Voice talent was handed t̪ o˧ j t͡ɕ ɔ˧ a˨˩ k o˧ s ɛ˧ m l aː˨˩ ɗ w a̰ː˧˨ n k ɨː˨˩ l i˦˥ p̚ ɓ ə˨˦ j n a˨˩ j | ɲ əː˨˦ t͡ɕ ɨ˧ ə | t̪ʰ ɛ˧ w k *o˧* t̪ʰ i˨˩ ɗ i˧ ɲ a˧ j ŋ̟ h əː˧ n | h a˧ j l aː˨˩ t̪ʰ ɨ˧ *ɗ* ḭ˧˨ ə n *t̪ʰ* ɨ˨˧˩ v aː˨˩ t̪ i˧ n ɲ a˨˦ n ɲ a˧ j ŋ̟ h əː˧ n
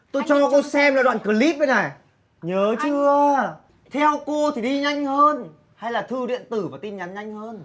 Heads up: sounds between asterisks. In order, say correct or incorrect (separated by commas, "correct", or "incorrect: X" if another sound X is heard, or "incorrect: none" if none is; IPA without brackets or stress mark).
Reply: correct, correct, incorrect: t̪